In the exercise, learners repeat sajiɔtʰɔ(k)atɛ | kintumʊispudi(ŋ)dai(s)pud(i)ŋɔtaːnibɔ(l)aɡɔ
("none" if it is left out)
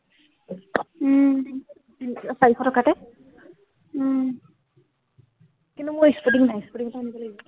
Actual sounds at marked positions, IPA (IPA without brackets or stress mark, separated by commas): k, ŋ, s, i, l